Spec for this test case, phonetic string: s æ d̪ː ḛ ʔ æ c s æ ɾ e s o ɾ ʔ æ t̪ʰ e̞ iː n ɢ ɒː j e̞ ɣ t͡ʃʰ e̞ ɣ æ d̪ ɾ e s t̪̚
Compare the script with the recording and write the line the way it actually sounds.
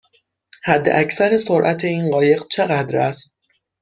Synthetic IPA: h æ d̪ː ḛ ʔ æ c s æ ɾ e s o ɾ ʔ æ t̪ʰ e̞ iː n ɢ ɒː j e̞ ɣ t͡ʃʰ e̞ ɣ æ d̪ ɾ æ s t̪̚